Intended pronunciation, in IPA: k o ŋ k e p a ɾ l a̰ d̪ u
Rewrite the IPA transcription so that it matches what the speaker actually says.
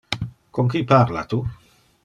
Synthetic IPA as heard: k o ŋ k i p a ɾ l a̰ t̪ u